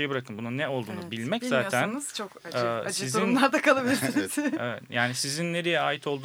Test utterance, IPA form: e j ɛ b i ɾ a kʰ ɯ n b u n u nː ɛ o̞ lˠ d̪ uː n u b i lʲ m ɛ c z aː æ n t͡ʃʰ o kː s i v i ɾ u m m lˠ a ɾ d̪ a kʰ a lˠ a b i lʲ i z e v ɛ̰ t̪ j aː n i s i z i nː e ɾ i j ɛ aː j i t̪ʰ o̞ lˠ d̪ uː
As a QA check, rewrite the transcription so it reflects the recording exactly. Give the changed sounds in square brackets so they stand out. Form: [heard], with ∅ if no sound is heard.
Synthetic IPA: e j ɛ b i ɾ a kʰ ɯ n b u n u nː ɛ o̞ lˠ d̪ uː n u b i lʲ m ɛ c z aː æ n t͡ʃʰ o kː s i [z] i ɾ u [n] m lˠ a ɾ d̪ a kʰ a lˠ a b i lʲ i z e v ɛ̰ t̪ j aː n i s i z i nː e ɾ i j ɛ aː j i t̪ʰ o̞ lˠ d̪ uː